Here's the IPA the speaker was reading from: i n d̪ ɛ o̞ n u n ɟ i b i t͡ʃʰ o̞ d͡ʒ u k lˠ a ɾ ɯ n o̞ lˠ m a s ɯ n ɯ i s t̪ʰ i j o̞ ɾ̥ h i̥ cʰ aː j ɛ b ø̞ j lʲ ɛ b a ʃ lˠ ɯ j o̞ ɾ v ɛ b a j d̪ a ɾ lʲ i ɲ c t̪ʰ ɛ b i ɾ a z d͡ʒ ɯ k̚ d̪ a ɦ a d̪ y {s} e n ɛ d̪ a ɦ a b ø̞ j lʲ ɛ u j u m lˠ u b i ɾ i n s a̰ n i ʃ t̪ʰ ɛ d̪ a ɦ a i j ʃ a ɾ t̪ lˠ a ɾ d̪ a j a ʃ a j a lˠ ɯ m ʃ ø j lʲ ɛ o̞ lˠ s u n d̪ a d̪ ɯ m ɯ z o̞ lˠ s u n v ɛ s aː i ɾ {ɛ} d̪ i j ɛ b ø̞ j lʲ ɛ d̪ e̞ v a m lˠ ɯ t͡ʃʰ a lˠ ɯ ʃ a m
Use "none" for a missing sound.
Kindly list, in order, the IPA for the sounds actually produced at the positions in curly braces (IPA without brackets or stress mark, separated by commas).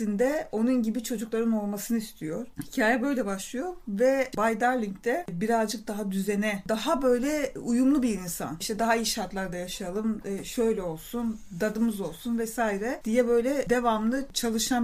z, ɛ